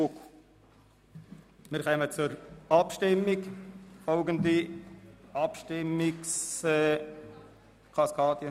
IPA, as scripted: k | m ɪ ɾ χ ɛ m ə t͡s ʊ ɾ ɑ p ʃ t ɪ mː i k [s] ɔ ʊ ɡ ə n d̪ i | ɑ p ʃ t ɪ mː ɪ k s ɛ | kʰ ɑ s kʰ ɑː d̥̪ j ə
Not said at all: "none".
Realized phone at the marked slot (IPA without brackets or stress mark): f